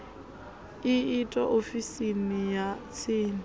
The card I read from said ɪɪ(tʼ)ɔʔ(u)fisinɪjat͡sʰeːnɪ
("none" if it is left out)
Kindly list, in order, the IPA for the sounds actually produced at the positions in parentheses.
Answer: tʼ, o

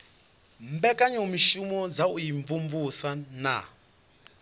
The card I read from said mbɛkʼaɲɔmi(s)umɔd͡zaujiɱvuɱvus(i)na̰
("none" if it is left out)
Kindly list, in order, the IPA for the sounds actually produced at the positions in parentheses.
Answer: ʃ, a

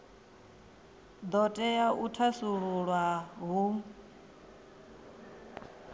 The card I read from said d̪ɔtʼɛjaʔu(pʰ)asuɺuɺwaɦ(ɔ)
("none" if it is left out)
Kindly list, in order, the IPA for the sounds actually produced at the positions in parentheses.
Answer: tʰ, u

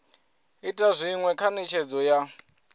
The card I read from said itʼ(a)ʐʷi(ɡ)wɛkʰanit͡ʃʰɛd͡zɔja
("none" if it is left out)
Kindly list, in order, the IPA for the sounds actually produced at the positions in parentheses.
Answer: a, ŋ

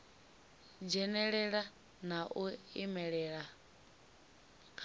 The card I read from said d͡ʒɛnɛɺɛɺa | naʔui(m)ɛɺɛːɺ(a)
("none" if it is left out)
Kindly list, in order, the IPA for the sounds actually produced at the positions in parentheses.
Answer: m, a

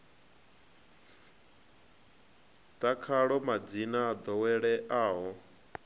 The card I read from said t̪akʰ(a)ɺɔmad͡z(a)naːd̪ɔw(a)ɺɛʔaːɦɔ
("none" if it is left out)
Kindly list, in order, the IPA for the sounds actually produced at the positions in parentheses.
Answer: a, i, ɛ

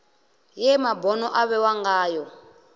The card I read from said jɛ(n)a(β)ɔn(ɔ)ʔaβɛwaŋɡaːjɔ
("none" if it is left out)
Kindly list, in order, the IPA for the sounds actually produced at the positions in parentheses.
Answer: m, b, ɔ

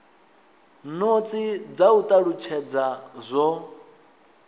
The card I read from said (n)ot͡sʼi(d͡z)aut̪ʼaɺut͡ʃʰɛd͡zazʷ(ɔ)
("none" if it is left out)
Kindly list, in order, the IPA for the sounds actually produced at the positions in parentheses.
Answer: n, d͡z, ɔ

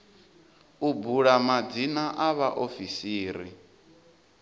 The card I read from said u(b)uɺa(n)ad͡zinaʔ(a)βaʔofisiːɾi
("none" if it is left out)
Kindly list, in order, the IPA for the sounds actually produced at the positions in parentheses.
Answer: b, m, a

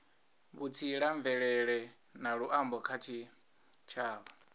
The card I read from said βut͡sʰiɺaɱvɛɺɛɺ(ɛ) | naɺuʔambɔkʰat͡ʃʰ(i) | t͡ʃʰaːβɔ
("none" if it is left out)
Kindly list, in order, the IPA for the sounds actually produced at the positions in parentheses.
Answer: ɛ, i

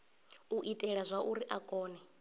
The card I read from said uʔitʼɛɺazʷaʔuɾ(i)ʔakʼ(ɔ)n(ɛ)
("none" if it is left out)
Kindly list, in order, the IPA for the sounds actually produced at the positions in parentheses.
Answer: i, ɔː, ɛ

